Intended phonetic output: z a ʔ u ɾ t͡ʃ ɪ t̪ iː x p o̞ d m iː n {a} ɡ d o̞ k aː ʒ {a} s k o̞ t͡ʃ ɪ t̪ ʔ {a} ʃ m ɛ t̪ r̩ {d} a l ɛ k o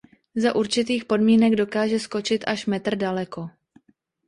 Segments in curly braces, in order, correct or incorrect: incorrect: ɛ, incorrect: ɛ, correct, correct

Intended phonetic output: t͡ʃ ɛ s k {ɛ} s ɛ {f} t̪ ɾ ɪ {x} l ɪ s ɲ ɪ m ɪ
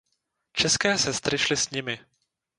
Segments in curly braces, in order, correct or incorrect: incorrect: ɛː, incorrect: s, incorrect: ʃ

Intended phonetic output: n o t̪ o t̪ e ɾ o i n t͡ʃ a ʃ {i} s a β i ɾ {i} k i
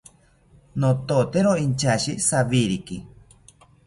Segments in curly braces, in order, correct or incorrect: correct, correct

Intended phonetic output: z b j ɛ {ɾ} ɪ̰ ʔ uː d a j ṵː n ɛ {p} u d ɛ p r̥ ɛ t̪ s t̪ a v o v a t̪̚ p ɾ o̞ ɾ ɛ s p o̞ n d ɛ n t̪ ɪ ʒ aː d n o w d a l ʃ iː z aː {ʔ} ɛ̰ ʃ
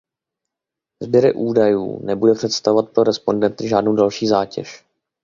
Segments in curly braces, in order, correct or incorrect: correct, incorrect: b, incorrect: c

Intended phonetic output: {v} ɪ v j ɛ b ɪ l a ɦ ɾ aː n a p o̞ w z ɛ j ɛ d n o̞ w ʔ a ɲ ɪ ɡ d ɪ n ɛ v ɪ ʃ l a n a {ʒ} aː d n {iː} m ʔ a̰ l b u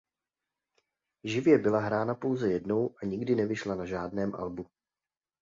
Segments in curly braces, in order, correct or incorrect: incorrect: ʒ, correct, incorrect: ɛː

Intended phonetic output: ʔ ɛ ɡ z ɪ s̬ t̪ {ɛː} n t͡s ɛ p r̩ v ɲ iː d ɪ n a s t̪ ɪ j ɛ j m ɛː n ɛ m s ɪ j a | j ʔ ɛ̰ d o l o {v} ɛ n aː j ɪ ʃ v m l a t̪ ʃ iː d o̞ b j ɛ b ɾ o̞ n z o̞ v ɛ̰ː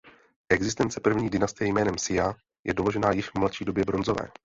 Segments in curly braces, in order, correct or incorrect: incorrect: ɛ, incorrect: ʒ

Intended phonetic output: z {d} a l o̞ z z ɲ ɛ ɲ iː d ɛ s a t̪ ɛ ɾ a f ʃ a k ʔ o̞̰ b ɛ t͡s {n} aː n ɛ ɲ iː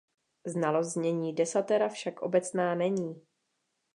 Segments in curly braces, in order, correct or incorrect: incorrect: n, correct

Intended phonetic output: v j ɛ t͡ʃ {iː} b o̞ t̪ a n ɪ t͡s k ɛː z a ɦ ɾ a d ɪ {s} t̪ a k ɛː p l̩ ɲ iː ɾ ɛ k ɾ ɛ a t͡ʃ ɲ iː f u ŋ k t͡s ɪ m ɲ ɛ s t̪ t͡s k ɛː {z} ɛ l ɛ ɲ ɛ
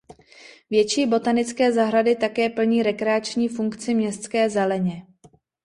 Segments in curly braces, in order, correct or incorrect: correct, incorrect: none, correct

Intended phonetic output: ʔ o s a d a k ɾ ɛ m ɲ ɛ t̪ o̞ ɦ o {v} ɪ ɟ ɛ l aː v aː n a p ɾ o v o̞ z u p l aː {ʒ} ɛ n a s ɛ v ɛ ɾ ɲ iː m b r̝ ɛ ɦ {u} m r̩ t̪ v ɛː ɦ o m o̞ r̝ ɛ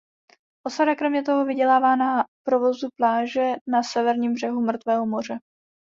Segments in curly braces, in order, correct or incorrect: correct, correct, correct

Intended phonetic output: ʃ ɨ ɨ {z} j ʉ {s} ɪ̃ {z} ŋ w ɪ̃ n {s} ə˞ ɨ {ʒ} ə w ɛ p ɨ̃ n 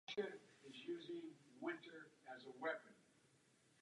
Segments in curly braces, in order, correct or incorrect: correct, incorrect: z, incorrect: none, incorrect: t, incorrect: z

